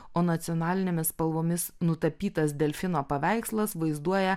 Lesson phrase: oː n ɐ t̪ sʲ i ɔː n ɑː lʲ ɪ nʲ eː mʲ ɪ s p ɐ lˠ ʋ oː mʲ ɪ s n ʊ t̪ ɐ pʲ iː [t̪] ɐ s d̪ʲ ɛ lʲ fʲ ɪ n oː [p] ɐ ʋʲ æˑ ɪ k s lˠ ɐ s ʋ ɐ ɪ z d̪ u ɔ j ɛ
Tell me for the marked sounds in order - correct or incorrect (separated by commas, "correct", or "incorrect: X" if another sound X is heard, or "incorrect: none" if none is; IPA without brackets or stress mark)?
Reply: correct, correct